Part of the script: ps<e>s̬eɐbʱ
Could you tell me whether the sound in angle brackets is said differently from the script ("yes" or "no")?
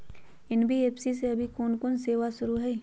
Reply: yes